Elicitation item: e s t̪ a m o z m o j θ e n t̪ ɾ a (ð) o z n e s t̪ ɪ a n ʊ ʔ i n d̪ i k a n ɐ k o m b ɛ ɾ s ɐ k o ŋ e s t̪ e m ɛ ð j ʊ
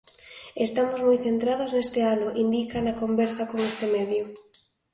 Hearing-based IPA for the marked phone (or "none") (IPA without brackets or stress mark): ð